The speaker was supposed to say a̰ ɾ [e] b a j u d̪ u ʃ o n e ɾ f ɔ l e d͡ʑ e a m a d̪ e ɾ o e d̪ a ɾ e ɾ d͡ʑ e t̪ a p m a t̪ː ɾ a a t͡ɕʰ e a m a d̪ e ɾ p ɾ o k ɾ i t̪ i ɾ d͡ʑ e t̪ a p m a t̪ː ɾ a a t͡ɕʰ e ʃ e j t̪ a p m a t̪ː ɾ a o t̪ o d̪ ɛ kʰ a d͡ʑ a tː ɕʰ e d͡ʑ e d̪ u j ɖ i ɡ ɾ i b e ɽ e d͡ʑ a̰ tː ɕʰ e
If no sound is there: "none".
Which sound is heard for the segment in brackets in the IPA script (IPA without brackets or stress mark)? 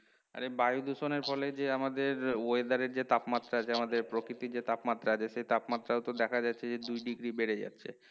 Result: e